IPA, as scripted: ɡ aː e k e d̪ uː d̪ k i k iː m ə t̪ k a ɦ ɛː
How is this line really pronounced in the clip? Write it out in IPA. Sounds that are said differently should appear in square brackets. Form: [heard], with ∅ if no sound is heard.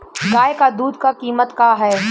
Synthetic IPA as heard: ɡ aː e k [a] d̪ uː d̪ k [a] k iː m ə t̪ k a ɦ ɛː